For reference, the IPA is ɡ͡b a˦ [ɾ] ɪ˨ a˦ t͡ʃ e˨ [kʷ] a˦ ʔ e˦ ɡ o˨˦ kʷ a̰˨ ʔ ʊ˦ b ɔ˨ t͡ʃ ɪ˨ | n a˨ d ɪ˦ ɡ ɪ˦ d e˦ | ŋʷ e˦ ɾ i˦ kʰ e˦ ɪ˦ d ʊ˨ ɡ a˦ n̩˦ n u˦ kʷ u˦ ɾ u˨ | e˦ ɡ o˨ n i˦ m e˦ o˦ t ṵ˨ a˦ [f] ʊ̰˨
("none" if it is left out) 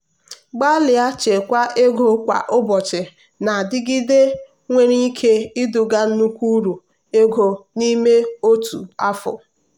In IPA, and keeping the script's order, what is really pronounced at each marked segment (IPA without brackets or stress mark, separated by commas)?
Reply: l, kʷ, f